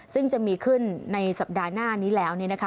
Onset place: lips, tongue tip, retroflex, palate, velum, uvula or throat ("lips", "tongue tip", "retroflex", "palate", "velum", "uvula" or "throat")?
tongue tip